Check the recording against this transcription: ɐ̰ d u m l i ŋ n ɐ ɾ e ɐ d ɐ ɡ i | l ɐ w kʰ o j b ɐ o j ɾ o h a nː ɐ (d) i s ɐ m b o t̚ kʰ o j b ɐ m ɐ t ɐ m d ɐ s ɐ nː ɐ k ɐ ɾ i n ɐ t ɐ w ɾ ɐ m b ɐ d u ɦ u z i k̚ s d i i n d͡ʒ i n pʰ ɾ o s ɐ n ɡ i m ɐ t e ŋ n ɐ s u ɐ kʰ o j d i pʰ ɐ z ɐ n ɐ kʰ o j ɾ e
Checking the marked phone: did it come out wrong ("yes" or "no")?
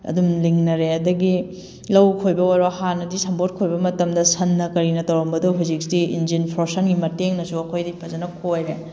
no